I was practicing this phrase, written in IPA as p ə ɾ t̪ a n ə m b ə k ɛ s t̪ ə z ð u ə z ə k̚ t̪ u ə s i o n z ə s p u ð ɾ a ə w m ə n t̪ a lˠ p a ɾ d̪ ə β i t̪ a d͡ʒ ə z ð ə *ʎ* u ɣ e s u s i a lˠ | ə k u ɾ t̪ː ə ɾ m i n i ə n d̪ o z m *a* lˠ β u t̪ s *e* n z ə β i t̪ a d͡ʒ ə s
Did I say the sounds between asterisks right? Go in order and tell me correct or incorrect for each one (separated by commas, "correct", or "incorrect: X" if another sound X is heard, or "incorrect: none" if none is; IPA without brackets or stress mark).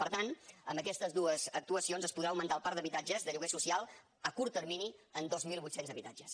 correct, incorrect: i, correct